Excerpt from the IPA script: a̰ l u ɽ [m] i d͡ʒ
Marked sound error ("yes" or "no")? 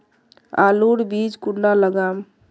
yes